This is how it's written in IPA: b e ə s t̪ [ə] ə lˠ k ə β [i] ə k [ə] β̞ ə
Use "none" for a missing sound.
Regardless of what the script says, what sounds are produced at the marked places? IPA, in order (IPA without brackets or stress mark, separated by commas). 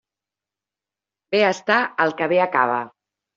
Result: a, e, a